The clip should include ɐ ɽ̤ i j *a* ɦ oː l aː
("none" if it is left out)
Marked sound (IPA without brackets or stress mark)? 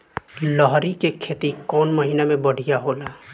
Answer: a